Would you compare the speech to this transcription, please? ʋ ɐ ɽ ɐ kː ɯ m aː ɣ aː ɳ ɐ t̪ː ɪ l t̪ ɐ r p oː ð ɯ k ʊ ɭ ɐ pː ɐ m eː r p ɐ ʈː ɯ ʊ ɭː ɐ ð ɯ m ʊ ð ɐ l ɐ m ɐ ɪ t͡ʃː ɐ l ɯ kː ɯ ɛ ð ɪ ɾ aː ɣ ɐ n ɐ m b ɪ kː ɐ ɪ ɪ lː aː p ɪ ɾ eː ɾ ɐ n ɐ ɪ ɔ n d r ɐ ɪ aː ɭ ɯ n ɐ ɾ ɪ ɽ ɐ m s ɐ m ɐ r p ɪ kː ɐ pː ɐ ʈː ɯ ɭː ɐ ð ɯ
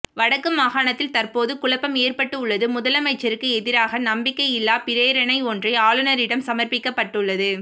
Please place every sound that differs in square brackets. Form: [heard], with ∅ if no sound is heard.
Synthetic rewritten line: ʋ ɐ ɽ ɐ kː ɯ m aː ɣ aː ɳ ɐ t̪ː ɪ l t̪ ɐ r p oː ð ɯ k ʊ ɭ ɐ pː ɐ m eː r p ɐ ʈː ɯ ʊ ɭː ɐ ð ɯ m ʊ ð ɐ l ɐ m ɐ ɪ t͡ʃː ɐ [ɾ] ɯ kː ɯ ɛ ð ɪ ɾ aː ɣ ɐ n ɐ m b ɪ kː ɐ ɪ ɪ lː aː p ɪ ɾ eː ɾ ɐ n ɐ ɪ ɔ n d r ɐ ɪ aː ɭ ɯ n ɐ ɾ ɪ ɽ ɐ m s ɐ m ɐ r p ɪ kː ɐ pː ɐ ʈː ɯ ɭː ɐ ð ɯ